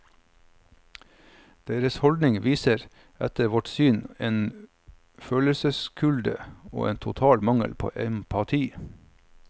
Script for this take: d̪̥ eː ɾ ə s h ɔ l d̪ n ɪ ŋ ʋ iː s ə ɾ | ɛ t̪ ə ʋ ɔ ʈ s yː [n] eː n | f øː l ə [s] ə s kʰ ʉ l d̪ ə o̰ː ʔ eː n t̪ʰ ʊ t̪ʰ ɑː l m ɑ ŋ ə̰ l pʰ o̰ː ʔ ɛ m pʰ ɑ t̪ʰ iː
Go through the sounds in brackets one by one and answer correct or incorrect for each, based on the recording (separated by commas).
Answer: correct, correct